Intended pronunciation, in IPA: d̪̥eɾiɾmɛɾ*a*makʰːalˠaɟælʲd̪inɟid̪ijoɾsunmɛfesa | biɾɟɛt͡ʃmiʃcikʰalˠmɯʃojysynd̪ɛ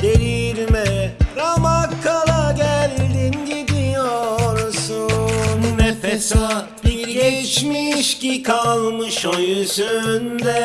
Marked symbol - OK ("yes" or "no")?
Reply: yes